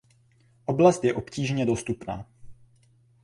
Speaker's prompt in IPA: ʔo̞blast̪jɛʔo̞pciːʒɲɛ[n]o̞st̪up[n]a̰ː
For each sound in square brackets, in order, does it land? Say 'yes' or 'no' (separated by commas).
no, yes